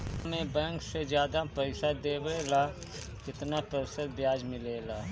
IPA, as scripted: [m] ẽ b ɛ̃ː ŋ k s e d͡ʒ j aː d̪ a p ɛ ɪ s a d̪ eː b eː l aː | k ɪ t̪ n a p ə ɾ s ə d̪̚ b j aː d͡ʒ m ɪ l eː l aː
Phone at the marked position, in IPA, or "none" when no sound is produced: m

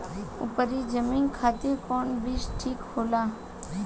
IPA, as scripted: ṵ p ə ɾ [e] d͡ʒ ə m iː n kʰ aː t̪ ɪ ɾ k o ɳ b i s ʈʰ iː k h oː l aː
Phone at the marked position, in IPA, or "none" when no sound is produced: i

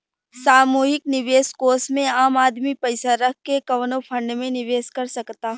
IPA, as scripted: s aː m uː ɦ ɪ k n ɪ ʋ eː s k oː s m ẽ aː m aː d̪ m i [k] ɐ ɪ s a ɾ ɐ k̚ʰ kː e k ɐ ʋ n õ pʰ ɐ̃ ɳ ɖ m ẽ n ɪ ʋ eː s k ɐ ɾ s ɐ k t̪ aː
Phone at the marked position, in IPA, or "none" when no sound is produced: p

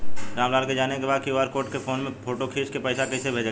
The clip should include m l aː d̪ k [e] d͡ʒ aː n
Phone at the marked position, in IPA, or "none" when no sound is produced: e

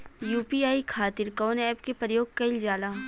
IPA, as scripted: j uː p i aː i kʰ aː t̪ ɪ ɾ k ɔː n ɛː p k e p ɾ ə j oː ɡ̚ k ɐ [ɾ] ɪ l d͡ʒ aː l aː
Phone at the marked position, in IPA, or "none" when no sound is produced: none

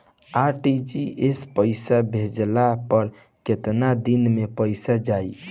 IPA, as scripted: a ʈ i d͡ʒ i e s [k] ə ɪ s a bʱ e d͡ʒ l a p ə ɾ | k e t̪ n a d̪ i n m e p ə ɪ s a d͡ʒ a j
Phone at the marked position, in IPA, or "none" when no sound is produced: p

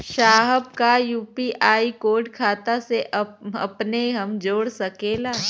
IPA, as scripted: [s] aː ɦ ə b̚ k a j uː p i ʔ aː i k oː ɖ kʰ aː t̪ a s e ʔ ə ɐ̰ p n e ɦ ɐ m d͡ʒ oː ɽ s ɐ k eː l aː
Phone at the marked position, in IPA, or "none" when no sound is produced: ʃ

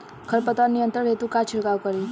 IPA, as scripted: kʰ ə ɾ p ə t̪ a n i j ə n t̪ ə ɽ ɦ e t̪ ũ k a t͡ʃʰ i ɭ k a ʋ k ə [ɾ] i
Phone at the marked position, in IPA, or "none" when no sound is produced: ɾ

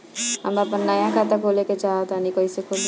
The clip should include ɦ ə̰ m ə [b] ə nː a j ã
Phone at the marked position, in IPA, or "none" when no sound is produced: p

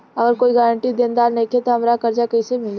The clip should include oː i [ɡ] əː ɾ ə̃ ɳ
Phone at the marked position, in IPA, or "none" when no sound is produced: ɡ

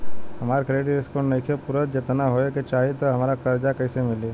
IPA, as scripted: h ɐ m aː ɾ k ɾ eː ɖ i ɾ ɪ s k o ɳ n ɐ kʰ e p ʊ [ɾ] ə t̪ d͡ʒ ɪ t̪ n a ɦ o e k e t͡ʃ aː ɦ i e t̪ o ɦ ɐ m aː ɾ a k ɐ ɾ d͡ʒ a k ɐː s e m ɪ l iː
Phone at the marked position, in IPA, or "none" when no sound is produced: ɾ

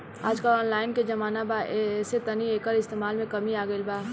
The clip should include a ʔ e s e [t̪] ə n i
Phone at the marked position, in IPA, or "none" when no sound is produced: t̪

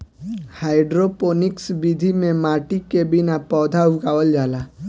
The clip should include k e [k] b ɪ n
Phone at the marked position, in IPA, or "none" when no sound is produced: none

